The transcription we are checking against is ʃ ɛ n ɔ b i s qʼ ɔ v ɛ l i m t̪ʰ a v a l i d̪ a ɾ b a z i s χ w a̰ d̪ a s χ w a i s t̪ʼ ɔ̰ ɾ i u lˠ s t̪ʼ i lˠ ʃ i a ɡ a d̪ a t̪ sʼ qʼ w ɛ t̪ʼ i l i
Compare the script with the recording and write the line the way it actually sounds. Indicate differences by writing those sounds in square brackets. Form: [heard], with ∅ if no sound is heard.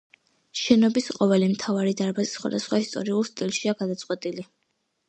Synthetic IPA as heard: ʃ ɛ n ɔ b i s qʼ ɔ v ɛ l i m t̪ʰ a v a [ɾ] i d̪ a ɾ b a z i s χ w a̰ d̪ a s χ w a i s t̪ʼ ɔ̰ ɾ i u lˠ s t̪ʼ i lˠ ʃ i a ɡ a d̪ a t̪ sʼ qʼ w ɛ t̪ʼ i l i